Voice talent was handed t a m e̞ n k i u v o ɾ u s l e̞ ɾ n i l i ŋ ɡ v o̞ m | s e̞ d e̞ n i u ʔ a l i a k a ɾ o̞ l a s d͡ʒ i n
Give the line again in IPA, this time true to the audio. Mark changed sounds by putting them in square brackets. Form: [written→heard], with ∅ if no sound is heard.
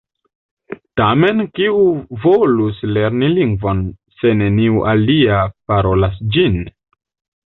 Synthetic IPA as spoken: t a m e̞ n k i u v o [ɾ→l] u s l e̞ ɾ n i l i ŋ ɡ v o̞ [m→n] | s e̞ [d→n] e̞ n i u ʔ a l i a [k→p] a ɾ o̞ l a s d͡ʒ i n